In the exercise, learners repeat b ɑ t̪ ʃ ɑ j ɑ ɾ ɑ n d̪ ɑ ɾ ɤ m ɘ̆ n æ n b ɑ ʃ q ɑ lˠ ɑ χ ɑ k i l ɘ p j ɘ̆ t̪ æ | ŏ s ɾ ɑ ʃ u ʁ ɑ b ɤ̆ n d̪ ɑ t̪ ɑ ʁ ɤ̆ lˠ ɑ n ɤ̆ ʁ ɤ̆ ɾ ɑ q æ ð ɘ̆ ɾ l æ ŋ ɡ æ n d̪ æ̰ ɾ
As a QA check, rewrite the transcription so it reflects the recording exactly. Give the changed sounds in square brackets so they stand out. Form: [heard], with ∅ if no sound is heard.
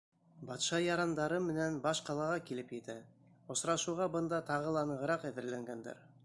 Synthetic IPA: b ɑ t̪ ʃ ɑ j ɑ ɾ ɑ n d̪ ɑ ɾ ɤ m ɘ̆ n æ n b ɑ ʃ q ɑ lˠ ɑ [ʁ] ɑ k i l ɘ p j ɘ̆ t̪ æ | ŏ s ɾ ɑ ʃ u ʁ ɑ b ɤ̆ n d̪ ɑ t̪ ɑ ʁ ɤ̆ lˠ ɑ n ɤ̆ ʁ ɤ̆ ɾ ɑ q æ ð ɘ̆ ɾ l æ ŋ ɡ æ n d̪ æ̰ ɾ